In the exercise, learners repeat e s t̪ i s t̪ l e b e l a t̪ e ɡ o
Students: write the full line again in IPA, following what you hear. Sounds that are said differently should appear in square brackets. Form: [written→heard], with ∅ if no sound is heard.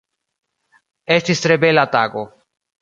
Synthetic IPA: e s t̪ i s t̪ [l→ɾ] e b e l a t̪ [e→a] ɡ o